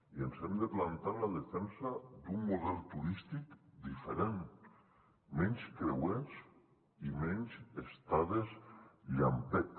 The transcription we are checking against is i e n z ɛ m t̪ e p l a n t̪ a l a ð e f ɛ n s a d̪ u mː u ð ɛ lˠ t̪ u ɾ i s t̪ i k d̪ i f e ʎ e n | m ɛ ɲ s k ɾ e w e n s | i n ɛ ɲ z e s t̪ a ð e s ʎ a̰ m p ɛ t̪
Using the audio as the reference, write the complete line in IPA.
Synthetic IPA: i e n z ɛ m d̪ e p l a n t̪ a l a ð e f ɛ n s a d̪ u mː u ð ɛ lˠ t̪ u ɾ i s t̪ i k d̪ i f e ɾ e n | m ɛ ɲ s k ɾ e w e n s | i m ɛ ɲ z e s t̪ a ð e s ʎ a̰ m p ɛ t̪